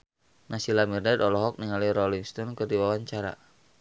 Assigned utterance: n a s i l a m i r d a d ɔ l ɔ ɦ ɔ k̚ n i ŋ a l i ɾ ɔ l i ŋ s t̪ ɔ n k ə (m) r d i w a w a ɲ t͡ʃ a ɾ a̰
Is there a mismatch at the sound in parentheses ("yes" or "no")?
yes